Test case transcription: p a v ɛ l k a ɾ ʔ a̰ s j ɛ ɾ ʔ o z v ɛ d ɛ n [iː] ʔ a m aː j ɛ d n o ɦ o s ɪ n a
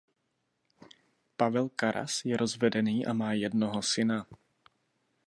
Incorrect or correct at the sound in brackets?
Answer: correct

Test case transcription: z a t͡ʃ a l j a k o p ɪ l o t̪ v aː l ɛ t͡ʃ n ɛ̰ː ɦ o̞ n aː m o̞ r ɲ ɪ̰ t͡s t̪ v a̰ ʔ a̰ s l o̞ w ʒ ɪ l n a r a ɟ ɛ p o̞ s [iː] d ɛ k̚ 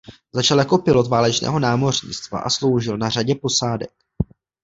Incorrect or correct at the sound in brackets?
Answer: incorrect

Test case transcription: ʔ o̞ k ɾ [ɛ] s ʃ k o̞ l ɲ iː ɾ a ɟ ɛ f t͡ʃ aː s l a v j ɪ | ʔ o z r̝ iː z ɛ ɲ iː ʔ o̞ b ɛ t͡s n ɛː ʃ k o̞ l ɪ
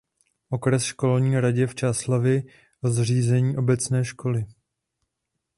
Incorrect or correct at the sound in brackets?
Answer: correct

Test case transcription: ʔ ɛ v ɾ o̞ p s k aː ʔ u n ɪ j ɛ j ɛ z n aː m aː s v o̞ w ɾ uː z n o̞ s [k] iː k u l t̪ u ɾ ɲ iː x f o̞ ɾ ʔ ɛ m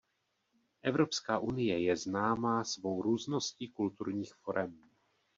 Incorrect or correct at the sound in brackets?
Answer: incorrect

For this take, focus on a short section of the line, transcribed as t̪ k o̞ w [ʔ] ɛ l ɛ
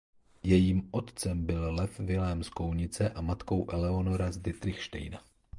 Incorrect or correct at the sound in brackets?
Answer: correct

